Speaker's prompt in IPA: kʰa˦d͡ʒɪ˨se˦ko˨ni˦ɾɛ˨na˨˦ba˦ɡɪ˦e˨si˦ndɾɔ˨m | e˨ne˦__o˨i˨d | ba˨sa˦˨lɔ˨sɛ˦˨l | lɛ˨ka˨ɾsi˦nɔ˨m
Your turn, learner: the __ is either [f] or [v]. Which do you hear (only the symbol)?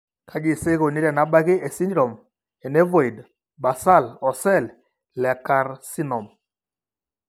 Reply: v